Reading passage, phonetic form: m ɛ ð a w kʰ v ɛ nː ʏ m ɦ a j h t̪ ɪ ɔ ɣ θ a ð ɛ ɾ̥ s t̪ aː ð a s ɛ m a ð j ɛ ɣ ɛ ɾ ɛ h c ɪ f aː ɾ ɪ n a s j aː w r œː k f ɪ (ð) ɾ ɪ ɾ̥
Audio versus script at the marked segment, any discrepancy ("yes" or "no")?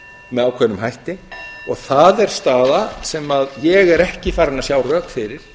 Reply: yes